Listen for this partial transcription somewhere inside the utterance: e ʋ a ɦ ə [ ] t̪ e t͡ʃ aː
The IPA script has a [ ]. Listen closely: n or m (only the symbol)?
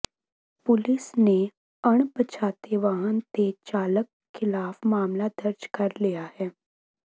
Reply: n